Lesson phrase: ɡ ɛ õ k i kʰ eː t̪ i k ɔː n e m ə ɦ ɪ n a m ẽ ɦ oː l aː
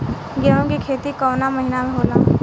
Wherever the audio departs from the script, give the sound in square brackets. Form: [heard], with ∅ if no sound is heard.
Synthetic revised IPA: ɡ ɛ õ k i kʰ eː t̪ i k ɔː n [a] m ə ɦ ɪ n a m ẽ ɦ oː l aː